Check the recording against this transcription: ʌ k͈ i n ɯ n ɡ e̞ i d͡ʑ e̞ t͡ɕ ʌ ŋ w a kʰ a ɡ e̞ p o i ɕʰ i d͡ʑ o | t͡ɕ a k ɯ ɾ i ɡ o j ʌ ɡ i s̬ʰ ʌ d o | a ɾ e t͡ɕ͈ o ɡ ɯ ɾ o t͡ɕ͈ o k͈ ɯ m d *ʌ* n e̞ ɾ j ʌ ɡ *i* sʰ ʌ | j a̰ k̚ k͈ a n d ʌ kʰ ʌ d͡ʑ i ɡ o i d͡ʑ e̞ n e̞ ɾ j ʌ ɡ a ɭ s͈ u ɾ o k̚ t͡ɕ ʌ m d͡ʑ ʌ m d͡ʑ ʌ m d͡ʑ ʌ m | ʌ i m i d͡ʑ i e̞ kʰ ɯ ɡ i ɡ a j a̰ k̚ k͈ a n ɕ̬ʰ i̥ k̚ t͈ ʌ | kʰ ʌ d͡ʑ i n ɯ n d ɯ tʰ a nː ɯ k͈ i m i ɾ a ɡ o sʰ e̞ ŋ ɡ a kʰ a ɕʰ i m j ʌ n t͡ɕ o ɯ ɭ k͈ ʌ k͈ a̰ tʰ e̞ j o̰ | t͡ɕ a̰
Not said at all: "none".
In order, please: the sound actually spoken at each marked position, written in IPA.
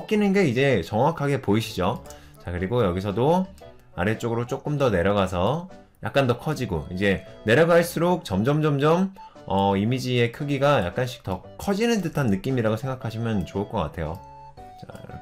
ʌ, a

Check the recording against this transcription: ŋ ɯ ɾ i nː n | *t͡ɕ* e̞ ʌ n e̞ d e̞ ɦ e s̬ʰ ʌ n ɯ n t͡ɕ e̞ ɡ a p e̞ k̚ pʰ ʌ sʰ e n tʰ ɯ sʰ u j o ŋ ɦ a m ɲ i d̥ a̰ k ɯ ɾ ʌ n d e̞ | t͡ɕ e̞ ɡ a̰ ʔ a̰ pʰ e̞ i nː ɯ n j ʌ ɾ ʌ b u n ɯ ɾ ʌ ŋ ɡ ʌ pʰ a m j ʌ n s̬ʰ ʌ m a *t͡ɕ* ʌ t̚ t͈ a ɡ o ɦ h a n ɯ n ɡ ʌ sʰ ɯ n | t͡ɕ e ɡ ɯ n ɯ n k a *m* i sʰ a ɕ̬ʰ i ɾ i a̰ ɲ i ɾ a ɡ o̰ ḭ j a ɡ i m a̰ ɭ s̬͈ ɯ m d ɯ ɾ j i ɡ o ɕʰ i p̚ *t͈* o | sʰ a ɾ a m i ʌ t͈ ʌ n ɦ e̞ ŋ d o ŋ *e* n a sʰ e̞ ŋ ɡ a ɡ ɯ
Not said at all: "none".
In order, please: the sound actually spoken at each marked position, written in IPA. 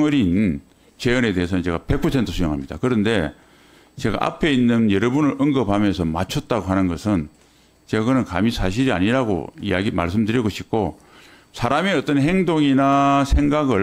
t͡ɕ, t͡ɕʰ, m, k͈, i

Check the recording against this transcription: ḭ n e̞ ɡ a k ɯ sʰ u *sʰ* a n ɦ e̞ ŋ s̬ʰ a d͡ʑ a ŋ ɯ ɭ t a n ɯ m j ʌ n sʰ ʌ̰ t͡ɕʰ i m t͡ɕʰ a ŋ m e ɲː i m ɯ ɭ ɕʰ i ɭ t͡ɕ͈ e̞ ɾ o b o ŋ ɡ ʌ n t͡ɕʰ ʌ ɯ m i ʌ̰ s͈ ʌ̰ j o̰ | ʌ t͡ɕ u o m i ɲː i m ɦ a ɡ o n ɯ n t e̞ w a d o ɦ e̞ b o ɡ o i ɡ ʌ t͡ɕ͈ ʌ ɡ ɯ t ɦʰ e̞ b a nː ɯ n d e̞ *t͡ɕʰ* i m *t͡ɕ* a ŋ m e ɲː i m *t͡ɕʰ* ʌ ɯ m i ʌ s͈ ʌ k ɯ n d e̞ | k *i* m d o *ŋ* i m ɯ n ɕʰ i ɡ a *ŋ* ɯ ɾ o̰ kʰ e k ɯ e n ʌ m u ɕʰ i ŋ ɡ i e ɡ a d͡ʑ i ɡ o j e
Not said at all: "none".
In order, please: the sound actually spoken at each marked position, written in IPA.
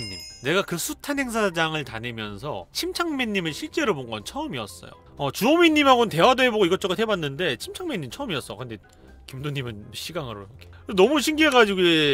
tʰ, t͡ɕʰ, t͡ɕʰ, t͡ɕʰ, i, ɲ, ŋ

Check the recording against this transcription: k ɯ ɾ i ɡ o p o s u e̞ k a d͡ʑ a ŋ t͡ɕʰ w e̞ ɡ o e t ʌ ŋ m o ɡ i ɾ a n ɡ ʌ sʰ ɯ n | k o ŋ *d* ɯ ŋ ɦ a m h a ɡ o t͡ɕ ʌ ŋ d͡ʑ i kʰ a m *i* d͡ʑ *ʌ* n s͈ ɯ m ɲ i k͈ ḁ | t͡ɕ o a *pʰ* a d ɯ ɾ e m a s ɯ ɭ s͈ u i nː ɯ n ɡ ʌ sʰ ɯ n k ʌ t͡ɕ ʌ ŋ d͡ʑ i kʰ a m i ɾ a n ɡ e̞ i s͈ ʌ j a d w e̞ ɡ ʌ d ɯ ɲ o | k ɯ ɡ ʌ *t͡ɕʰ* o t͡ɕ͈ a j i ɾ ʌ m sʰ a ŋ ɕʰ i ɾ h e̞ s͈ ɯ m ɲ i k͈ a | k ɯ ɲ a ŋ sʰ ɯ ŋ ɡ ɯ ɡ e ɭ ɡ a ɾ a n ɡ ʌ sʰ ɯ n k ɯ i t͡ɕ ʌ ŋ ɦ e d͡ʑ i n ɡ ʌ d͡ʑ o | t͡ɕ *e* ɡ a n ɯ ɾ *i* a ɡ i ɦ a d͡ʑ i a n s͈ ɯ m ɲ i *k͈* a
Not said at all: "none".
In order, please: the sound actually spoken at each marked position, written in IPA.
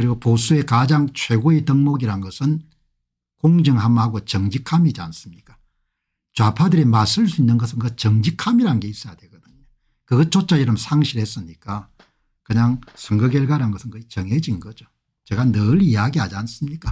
d͡ʑ, i, a, pʰ, t͡ɕ, e, i, k͈

